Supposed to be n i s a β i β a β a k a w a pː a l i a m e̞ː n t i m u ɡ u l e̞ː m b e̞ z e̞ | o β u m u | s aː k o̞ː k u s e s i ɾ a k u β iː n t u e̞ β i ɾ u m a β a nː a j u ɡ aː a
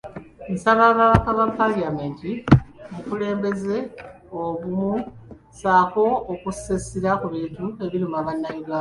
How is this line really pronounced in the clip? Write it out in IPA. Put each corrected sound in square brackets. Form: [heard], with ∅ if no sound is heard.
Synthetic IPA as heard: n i s a β [a] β a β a k a [β] a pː a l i a m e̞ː n t i m u [k] u l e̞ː m b e̞ z e̞ | o β u m u | s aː k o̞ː k u s e s i ɾ a k u β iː n t u e̞ β i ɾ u m a β a nː a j u ɡ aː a